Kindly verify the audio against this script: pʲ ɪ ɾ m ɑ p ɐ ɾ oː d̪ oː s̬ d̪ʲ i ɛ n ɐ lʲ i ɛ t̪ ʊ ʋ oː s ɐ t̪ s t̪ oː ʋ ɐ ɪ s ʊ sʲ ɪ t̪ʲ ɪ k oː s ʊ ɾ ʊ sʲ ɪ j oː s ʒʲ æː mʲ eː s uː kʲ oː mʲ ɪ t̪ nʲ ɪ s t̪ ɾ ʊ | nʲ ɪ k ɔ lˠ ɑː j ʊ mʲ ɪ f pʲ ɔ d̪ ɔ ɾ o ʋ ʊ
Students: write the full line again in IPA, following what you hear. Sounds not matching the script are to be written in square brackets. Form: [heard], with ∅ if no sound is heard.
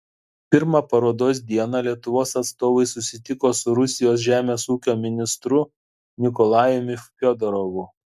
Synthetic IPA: pʲ ɪ ɾ m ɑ p ɐ ɾ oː d̪ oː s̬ d̪ʲ i ɛ n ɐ lʲ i ɛ t̪ ʊ ʋ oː s ɐ t̪ s t̪ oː ʋ ɐ ɪ s ʊ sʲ ɪ t̪ʲ ɪ k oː s ʊ ɾ ʊ sʲ ɪ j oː s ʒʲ æː mʲ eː s uː kʲ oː mʲ ɪ [∅] nʲ ɪ s t̪ ɾ ʊ | nʲ ɪ k ɔ lˠ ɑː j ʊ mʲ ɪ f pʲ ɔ d̪ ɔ ɾ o ʋ ʊ